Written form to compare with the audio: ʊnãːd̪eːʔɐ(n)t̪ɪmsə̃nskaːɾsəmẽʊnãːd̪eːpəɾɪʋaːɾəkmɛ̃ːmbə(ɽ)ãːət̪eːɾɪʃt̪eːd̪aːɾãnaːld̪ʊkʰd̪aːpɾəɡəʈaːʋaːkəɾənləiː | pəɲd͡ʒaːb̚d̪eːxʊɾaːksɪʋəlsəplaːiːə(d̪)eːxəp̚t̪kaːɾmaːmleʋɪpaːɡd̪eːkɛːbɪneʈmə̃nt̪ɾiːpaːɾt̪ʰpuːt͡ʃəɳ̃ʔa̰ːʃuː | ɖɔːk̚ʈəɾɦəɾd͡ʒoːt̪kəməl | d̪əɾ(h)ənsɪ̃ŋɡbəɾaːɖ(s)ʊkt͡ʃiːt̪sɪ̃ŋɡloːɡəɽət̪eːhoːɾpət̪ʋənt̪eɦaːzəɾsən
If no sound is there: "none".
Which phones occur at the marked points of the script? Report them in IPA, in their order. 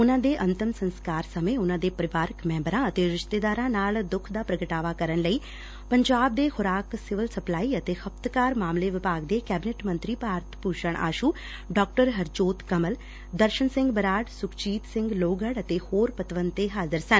n, ɾ, t̪, ʃ, s

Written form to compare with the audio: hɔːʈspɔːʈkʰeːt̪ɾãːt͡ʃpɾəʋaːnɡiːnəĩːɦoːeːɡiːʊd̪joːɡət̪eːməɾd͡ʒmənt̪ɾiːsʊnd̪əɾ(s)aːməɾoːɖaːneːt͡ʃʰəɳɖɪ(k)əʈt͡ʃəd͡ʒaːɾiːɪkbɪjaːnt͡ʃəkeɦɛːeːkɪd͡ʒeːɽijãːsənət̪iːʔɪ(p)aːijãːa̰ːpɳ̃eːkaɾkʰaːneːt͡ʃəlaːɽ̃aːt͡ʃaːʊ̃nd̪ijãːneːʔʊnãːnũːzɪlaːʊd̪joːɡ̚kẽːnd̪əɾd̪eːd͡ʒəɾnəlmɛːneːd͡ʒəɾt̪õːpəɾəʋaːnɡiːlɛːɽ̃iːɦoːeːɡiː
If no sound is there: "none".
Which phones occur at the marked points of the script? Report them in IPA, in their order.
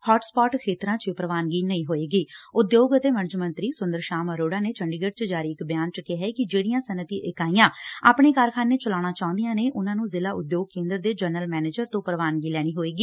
ʃ, ɡ, k

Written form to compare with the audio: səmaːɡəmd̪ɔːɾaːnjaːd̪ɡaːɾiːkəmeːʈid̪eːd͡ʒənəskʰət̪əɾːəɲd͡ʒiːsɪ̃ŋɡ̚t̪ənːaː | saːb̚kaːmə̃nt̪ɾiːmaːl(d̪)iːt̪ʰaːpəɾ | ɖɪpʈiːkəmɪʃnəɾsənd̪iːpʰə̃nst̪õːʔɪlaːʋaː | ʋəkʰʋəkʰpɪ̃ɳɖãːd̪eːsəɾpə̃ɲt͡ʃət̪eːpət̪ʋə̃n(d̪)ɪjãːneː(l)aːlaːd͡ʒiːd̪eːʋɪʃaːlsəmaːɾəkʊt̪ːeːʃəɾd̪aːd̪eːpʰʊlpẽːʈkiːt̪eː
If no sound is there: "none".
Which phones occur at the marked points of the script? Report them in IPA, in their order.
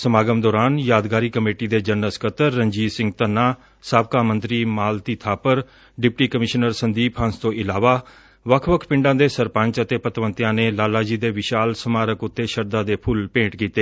t̪, t̪, l

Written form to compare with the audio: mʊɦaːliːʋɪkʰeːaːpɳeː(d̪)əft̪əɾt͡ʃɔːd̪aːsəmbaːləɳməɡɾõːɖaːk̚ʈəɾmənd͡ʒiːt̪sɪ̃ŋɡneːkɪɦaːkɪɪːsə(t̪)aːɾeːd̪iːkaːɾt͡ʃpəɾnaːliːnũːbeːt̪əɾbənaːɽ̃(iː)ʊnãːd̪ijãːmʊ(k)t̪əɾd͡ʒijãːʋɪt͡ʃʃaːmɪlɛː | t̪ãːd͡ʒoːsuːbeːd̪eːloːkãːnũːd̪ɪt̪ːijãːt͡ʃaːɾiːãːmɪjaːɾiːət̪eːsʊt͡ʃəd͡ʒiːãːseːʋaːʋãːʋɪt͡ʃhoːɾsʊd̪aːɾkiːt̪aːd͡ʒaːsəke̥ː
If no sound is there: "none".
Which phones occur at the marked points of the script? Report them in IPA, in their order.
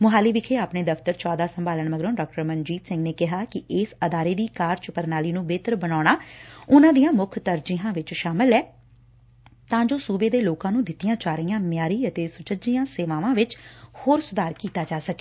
d̪, d̪, aː, kʰ

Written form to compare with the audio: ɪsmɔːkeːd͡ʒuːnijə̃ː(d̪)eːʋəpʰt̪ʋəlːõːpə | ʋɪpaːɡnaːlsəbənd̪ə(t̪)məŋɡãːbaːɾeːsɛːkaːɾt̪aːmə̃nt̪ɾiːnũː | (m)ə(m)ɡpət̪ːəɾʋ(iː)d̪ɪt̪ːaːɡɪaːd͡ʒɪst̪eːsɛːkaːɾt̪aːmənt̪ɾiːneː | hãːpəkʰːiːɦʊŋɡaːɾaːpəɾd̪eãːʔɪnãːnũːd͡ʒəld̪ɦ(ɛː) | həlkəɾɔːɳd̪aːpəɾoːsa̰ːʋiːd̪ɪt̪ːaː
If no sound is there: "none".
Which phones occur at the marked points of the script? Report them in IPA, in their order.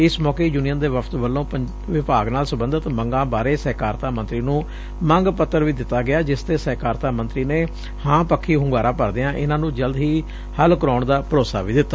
d̪, t̪, m, ŋ, iː, iː

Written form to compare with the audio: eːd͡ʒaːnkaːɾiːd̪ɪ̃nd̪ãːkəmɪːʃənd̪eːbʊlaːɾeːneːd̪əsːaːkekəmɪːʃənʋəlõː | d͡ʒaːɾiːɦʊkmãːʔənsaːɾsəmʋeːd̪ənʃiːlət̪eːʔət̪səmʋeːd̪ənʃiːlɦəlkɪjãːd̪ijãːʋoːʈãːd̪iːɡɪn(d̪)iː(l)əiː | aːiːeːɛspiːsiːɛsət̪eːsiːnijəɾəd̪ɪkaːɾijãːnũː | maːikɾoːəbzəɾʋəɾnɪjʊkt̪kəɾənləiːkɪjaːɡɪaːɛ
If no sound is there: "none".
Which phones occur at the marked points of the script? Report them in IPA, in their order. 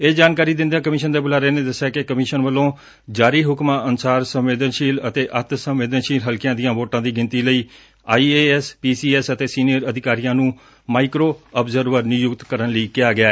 t̪, l

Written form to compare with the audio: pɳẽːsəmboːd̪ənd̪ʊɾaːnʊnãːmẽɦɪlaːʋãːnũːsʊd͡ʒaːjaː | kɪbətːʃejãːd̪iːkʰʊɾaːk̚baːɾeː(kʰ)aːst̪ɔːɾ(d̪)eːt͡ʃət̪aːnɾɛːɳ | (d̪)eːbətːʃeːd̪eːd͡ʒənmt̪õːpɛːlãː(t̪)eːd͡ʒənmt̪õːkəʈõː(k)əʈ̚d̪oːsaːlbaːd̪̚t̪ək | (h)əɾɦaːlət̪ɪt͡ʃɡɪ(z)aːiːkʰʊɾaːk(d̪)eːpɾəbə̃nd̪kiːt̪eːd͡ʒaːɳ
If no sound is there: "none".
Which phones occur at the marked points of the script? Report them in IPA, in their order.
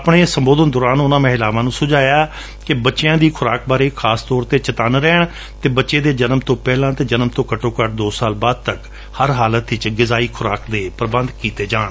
kʰ, t̪, t̪, t̪, k, h, z, d̪

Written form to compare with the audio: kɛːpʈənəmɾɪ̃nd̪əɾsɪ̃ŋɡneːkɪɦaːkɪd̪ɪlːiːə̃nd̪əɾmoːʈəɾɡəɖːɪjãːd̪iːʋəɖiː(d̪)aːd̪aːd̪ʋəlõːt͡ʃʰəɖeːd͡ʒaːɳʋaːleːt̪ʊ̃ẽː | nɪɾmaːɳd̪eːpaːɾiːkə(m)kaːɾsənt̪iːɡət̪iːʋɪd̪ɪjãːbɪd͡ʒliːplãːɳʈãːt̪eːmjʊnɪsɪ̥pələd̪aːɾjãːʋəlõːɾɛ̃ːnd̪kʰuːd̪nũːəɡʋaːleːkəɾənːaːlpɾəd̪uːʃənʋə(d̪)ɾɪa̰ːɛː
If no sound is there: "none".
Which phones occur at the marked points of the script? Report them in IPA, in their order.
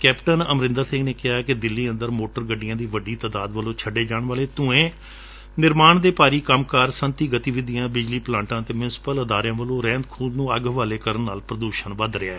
t̪, m, d̪

